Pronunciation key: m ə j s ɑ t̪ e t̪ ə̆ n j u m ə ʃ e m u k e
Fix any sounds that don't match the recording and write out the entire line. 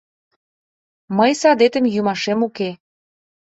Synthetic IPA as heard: m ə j s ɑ d̪ e t̪ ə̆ m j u m ɑ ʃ e m u k e